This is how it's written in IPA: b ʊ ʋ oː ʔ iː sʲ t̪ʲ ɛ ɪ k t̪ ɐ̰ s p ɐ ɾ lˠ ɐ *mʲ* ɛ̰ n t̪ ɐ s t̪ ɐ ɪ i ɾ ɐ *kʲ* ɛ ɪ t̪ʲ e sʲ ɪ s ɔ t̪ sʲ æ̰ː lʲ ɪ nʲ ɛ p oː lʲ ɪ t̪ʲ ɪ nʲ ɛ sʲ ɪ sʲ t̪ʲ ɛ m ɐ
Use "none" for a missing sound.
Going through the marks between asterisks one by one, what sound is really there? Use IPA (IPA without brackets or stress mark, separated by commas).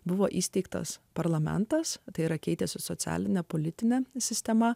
mʲ, kʲ